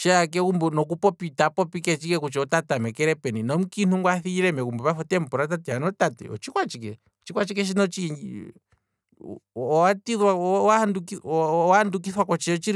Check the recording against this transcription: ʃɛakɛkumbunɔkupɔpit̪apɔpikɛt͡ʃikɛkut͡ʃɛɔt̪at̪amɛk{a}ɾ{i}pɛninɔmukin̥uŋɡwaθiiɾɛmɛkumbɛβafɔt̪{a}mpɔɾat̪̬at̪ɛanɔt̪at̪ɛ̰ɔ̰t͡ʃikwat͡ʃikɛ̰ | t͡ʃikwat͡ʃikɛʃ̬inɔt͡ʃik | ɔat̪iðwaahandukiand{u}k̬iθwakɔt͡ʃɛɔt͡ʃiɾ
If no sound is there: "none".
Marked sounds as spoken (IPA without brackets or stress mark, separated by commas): ɛ, ɛ, ɛ, u